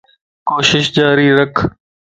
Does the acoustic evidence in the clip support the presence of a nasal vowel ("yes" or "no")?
no